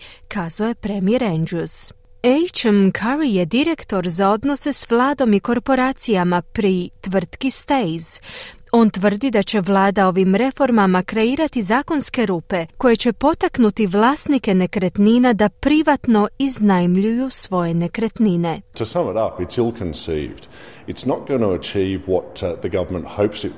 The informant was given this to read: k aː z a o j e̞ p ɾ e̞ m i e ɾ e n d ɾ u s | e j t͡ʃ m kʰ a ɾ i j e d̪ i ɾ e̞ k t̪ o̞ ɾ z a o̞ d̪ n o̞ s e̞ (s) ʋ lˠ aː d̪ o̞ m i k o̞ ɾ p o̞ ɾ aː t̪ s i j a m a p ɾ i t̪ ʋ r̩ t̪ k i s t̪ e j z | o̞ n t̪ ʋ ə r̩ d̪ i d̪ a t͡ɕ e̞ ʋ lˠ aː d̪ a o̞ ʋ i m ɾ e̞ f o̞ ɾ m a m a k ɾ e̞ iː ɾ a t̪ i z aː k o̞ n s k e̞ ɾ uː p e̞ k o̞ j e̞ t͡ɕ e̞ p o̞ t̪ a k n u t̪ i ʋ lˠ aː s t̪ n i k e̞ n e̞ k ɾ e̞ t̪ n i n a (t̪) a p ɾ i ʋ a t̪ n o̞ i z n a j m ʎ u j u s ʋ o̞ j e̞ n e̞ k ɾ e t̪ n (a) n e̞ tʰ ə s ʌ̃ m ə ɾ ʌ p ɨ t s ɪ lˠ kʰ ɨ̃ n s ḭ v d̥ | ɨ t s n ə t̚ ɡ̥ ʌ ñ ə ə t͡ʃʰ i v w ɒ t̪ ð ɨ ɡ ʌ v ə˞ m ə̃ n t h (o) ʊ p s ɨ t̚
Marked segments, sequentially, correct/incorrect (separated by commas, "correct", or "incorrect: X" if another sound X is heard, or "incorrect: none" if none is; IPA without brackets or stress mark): correct, incorrect: d̪, incorrect: i, correct